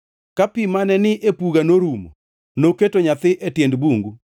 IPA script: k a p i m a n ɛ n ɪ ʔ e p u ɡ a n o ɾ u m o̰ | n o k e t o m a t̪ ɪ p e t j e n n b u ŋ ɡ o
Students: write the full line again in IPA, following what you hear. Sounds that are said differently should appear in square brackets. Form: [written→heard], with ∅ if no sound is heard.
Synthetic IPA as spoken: k a p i m a n ɛ n ɪ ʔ e p u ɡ a n o ɾ u m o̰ | n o k e t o [m→ɲ] a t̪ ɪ [p→ʔ] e t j e n [n→d] b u ŋ ɡ [o→u]